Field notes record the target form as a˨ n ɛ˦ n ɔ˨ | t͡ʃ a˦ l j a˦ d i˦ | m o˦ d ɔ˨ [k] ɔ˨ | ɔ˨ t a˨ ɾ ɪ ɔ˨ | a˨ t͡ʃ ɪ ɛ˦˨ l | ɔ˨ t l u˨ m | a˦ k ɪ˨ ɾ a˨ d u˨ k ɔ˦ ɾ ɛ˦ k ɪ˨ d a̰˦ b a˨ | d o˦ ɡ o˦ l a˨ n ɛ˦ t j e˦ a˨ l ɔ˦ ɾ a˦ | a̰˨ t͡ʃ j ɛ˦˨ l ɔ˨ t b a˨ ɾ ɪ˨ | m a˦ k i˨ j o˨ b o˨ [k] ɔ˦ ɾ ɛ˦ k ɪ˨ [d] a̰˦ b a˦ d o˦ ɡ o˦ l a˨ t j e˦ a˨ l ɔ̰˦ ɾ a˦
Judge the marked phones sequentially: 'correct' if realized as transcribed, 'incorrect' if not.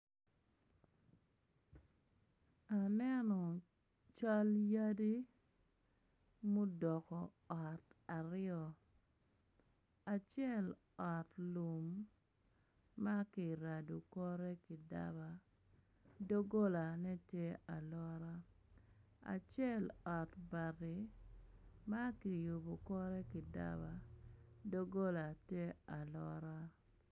correct, correct, correct

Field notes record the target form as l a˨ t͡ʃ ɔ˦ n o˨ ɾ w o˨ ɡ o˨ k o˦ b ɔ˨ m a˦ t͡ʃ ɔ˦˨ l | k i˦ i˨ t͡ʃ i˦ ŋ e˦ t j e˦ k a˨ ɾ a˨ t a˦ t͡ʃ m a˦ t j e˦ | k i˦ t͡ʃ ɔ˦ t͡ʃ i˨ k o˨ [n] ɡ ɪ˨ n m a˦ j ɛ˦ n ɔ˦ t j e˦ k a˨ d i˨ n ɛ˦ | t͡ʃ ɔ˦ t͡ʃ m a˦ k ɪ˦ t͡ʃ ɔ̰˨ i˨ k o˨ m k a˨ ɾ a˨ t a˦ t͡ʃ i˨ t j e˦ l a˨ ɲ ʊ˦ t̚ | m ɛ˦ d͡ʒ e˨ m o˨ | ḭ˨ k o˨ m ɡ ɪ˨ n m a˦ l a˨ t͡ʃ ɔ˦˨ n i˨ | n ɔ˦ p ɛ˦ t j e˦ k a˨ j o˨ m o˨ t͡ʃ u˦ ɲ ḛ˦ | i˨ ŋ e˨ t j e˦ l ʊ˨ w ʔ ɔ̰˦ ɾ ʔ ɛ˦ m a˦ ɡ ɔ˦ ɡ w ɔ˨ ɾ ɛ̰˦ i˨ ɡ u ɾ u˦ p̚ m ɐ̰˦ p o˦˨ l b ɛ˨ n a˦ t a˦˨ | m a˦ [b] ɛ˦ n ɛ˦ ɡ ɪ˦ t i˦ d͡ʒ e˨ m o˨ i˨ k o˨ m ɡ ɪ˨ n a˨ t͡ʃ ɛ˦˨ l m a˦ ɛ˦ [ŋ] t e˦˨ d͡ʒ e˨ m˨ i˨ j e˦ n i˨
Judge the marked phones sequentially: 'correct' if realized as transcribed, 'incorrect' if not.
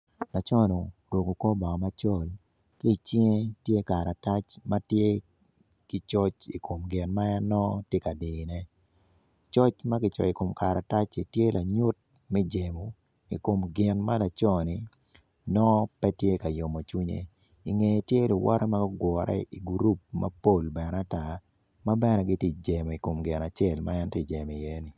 incorrect: m, correct, incorrect: n

